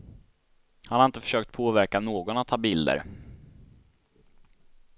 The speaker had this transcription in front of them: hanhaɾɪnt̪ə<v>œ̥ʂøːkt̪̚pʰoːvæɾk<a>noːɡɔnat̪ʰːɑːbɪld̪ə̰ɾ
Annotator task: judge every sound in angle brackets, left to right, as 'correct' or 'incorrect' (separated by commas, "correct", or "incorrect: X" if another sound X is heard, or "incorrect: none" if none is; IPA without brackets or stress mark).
incorrect: f, correct